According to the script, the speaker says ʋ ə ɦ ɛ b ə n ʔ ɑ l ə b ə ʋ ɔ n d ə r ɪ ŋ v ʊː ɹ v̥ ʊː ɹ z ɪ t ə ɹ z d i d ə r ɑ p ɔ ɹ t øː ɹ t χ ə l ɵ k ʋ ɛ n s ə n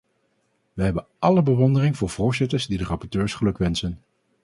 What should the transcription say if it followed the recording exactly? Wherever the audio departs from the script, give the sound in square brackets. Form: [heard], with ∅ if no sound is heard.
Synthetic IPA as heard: ʋ ə ɦ ɛ b ə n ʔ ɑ l ə b ə ʋ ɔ n d ə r ɪ ŋ v ʊː ɹ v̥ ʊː ɹ z ɪ t ə ɹ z d i d ə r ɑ p ɔ ɹ t øː ɹ [s] χ ə l ɵ k ʋ ɛ n s ə n